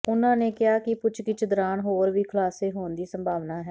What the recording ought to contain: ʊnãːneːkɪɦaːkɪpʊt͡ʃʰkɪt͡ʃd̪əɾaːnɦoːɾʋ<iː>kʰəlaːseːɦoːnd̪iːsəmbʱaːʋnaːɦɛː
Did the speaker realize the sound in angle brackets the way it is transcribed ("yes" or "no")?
yes